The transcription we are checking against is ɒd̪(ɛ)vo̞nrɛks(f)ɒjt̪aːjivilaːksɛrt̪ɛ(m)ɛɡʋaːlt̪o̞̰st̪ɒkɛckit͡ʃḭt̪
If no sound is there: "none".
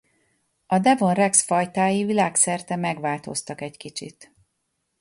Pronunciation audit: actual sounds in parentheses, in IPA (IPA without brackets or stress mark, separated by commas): ɛ, f, m